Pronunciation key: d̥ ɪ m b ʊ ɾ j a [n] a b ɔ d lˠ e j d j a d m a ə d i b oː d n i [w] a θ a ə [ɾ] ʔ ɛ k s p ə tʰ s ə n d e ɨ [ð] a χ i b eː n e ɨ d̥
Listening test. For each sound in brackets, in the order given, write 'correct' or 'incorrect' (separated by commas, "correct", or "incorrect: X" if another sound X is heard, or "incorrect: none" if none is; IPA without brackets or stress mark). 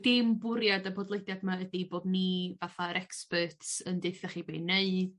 incorrect: d, incorrect: v, correct, incorrect: θ